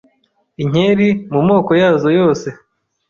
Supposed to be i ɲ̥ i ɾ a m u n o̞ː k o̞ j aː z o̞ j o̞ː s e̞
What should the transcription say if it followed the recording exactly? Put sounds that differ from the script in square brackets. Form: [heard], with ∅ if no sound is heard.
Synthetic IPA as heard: i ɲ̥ [e] ɾ [i] m u [m] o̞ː k o̞ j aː z o̞ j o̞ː s e̞